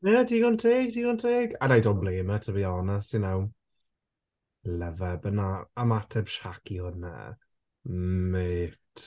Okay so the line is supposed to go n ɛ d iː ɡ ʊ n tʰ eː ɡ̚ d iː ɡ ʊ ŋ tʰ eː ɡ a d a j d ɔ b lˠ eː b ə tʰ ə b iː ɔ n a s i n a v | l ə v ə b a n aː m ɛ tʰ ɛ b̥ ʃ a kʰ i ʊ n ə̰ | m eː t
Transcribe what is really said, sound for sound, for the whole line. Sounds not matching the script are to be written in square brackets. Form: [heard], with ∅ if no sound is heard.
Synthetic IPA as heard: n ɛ d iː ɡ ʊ n tʰ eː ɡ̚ d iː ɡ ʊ [n] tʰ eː ɡ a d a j d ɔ b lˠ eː [m] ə tʰ ə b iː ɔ n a s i n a [w] | l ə v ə b [ə] n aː m [a] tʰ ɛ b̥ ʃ a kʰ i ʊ n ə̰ | m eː t